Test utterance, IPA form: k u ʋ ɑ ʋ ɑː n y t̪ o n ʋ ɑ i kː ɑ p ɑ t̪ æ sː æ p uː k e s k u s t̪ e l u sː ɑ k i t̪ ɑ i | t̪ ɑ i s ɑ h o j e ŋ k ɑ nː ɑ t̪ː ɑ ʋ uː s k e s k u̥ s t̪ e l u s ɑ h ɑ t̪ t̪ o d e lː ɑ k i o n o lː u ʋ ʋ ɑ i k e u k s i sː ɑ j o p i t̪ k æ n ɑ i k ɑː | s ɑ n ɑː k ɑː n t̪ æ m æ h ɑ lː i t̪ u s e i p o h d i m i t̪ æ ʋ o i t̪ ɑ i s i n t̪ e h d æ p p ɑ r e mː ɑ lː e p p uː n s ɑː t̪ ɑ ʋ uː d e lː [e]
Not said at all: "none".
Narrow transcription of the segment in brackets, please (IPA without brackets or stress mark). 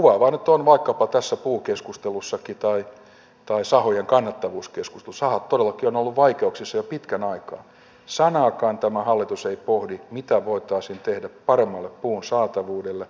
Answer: e